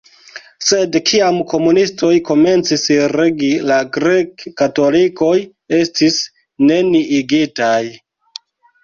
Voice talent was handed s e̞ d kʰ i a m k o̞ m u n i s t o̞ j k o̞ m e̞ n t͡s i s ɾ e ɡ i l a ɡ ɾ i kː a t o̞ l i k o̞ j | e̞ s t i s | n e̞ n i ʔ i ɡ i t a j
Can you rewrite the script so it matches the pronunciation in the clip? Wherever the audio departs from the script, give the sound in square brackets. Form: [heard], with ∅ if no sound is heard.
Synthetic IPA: s e̞ d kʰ i a m k o̞ m u n i s t o̞ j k o̞ m e̞ n t͡s i s ɾ e ɡ i l a ɡ ɾ [e] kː a t o̞ l i k o̞ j | e̞ s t i s | n e̞ n i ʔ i ɡ i t a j